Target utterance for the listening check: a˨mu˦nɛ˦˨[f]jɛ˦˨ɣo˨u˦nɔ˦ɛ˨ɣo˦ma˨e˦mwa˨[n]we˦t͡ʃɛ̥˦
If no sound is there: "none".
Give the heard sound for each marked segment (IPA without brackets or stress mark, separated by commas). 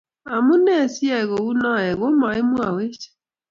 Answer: s, none